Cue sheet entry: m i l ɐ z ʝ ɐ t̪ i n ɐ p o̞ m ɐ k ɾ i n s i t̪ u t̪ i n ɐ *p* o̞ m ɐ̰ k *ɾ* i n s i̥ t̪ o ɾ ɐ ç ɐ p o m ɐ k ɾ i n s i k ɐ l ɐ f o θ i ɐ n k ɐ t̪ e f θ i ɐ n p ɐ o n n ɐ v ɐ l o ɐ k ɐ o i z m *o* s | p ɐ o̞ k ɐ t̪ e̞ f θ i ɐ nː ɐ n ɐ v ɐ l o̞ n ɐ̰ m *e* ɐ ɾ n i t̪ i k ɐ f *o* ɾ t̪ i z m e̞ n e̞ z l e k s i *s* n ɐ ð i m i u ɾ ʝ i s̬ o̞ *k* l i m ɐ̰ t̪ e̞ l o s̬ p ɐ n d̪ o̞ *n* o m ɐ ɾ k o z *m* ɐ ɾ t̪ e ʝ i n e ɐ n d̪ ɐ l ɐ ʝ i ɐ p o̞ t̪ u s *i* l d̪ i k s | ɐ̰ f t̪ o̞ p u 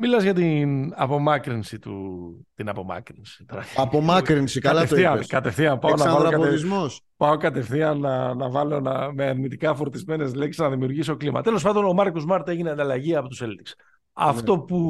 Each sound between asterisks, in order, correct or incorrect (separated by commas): correct, correct, correct, correct, correct, incorrect, correct, correct, correct, incorrect